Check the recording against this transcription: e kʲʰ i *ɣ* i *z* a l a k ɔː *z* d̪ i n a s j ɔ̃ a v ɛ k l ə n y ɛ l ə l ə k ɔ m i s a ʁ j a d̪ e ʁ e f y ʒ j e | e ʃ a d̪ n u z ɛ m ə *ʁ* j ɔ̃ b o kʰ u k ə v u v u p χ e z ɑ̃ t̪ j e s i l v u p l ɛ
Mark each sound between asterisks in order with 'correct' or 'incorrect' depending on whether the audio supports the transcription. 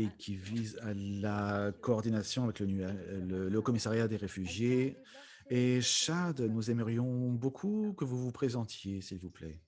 incorrect: v, correct, incorrect: ʁ, correct

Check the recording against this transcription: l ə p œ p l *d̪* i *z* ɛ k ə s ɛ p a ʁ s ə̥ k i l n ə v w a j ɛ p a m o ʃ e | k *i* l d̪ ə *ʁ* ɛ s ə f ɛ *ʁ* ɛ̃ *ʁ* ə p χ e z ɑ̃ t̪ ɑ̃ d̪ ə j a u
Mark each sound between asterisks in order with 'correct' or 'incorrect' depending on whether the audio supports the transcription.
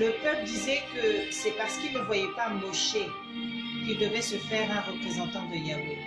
correct, correct, correct, incorrect: v, correct, correct

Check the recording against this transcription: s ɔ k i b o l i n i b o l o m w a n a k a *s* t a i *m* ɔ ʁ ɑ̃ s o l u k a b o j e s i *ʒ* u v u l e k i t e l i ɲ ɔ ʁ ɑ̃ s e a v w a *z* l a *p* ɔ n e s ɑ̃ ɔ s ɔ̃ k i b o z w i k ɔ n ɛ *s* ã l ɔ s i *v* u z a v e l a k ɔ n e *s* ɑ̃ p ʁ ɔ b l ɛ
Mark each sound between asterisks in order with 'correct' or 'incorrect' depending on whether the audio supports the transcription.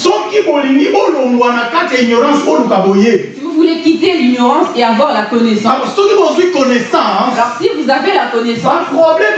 incorrect: none, incorrect: ɲ, incorrect: v, incorrect: ʁ, incorrect: k, correct, correct, correct

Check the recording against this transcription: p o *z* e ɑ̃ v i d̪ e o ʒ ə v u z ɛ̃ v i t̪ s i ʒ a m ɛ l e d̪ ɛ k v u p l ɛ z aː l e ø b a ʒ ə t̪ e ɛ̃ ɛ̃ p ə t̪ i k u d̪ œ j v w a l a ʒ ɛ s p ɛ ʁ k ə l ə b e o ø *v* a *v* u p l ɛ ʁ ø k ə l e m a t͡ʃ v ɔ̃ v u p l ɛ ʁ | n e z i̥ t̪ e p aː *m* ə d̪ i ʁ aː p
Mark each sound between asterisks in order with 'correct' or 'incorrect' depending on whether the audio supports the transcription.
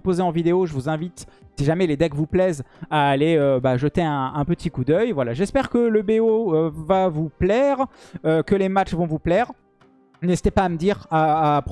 correct, correct, correct, correct

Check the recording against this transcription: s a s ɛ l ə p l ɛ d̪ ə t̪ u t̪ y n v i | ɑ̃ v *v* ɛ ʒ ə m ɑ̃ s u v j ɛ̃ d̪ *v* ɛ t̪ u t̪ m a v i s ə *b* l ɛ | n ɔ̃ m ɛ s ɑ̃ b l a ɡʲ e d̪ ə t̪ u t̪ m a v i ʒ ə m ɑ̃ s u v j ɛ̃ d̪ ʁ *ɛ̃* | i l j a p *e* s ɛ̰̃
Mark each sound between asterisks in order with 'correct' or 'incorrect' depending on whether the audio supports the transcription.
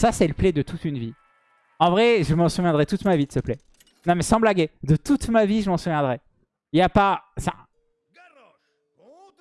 incorrect: ʁ, incorrect: ʁ, incorrect: p, incorrect: ɛ, incorrect: a

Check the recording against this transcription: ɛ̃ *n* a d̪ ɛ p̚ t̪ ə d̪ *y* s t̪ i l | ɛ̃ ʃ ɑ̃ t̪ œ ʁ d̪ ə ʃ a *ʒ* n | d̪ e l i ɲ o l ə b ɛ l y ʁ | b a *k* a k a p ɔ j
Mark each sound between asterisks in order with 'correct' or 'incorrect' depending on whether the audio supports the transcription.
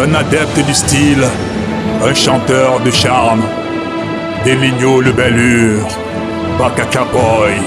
correct, correct, incorrect: ʁ, correct

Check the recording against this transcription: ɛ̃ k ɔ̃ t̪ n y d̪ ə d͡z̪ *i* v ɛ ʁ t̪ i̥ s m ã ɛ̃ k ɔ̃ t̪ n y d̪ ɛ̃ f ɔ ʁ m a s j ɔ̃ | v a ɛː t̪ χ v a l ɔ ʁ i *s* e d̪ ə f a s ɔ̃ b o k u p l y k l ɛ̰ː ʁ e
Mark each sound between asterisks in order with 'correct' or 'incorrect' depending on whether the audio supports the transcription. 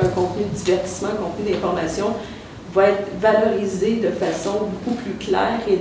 correct, incorrect: z

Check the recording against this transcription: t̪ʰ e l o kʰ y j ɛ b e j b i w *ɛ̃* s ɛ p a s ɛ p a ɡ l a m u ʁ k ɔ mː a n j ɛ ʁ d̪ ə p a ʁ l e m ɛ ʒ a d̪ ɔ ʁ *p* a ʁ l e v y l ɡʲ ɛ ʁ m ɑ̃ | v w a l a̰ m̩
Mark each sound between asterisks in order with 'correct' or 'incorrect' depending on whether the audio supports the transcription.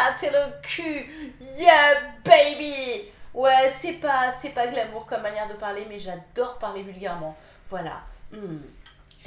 incorrect: ɛ, correct

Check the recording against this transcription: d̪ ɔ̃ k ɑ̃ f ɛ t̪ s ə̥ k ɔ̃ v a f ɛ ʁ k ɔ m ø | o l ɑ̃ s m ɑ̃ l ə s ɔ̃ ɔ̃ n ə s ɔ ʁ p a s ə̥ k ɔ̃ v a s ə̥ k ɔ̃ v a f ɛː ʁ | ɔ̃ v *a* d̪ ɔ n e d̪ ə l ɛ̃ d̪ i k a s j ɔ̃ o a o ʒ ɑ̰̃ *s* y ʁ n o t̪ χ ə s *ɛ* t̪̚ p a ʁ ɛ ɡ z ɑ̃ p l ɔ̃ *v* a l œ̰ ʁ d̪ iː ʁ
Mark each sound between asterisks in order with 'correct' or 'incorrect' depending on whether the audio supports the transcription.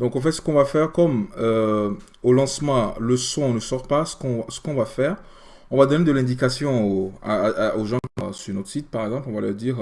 correct, correct, incorrect: i, correct

